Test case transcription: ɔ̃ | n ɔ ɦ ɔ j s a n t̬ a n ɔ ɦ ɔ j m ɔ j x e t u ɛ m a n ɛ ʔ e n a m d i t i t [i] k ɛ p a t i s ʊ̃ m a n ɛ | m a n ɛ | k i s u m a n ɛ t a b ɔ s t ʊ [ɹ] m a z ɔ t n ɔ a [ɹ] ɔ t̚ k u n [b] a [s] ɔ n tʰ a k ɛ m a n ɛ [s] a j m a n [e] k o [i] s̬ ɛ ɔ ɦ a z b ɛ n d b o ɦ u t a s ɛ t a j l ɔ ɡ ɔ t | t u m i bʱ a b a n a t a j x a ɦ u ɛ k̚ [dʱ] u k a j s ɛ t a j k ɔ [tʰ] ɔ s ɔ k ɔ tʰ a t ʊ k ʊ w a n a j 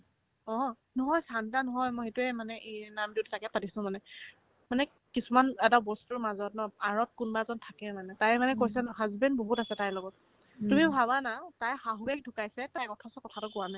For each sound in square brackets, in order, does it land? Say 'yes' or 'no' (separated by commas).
no, yes, yes, yes, no, no, no, no, yes, yes